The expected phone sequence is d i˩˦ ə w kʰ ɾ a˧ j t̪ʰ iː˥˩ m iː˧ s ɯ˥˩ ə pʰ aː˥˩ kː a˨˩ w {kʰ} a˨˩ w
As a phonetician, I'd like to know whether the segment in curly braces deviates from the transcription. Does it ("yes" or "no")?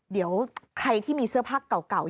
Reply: yes